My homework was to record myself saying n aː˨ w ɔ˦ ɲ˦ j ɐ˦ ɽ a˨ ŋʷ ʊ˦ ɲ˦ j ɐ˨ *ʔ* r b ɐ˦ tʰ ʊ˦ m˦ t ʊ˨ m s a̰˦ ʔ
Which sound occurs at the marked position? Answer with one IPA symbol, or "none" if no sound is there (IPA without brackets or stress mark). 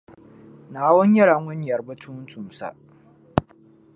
none